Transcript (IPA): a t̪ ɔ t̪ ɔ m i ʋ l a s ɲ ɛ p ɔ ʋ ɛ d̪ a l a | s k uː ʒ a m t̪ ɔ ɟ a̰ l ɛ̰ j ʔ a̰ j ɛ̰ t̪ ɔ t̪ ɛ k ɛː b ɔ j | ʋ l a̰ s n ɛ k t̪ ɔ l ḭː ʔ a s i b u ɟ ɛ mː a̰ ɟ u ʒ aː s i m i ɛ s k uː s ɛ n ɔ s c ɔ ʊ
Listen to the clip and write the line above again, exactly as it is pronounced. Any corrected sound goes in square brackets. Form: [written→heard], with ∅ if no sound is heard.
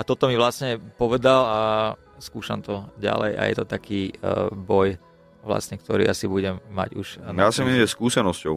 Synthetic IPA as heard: a t̪ ɔ t̪ ɔ m i ʋ l a s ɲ ɛ p ɔ ʋ ɛ d̪ a l a | s k uː [ʒ→ʃ] a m t̪ ɔ ɟ a̰ l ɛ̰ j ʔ a̰ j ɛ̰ t̪ ɔ t̪ [ɛ→a] k [ɛː→iː] b ɔ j | ʋ l a̰ s [n→ɲ] ɛ k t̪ ɔ [l→ɾ] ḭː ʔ a s i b u ɟ ɛ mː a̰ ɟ u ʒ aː s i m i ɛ s k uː s ɛ n ɔ s c ɔ ʊ